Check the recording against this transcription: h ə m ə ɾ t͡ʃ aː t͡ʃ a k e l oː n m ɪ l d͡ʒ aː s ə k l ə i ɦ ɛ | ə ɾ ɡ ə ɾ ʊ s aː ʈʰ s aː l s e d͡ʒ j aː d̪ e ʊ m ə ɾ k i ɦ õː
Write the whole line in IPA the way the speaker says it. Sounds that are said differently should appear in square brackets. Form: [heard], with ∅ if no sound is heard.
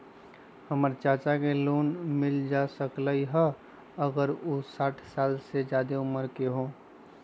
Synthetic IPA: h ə m ə ɾ t͡ʃ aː t͡ʃ a k e l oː n m ɪ l d͡ʒ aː s ə k l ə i ɦ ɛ | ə [∅] ɡ ə ɾ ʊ s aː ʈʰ s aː l s e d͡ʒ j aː d̪ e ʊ m ə ɾ k [e] ɦ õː